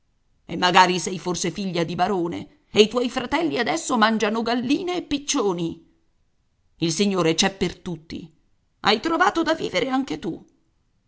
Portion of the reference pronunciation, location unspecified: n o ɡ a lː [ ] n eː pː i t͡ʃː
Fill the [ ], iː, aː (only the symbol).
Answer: iː